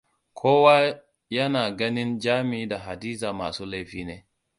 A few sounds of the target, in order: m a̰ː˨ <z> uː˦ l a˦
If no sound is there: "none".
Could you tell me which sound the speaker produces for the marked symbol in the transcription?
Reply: s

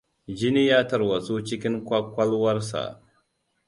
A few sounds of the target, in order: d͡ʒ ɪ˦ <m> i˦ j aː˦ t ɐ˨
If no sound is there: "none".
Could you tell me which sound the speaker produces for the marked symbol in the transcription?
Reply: n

